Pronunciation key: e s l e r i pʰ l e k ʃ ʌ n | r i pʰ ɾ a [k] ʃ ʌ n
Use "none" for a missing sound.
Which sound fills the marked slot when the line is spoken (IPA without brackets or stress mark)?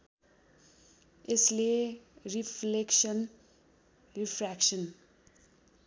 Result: k